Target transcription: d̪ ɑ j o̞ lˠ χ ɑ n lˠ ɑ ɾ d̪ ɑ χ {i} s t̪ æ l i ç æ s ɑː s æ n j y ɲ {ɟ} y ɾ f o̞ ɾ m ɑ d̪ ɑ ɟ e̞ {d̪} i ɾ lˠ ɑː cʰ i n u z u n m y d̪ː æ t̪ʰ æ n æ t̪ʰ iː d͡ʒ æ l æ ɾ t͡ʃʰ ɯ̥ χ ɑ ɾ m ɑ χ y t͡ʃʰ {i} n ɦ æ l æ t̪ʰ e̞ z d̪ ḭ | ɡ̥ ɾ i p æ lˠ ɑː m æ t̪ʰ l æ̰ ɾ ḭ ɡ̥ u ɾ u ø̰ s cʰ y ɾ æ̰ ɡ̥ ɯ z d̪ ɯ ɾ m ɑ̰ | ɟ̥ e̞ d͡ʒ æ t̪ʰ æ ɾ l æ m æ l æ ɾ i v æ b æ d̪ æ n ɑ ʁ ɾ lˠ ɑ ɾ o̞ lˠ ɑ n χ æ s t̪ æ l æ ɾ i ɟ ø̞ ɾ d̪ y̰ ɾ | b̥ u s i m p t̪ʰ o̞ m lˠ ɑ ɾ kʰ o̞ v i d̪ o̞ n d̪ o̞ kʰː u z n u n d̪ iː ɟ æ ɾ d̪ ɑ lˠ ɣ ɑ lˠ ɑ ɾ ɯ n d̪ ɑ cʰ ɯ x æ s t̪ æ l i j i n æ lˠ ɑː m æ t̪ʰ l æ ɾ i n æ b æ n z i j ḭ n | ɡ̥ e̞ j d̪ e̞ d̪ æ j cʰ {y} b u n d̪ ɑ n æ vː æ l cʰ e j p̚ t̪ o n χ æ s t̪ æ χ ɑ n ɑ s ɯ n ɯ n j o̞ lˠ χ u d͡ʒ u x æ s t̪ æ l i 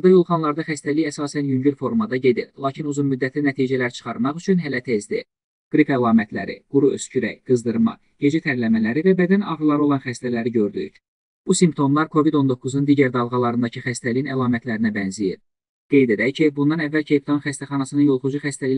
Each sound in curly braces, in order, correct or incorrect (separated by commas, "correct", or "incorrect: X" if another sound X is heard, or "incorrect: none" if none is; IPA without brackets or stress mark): incorrect: æ, correct, correct, incorrect: y, incorrect: i